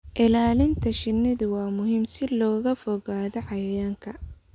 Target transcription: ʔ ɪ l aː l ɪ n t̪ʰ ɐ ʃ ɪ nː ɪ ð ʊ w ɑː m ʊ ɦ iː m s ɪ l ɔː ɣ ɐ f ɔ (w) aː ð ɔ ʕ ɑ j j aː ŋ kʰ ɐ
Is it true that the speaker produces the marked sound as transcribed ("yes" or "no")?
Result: no